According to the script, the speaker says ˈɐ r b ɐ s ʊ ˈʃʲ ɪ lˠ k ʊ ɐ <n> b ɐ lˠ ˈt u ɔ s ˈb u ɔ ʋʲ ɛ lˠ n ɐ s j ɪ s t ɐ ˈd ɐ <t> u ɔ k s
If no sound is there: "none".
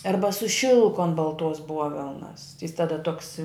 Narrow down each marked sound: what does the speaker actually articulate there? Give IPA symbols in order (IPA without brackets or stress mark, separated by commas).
n, t